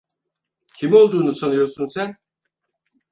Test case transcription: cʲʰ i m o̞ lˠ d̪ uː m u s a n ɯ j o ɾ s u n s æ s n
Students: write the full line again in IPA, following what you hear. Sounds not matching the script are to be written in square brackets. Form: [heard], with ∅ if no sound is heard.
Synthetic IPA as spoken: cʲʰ i m o̞ lˠ d̪ uː [n] u s a n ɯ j o ɾ s u n s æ [∅] n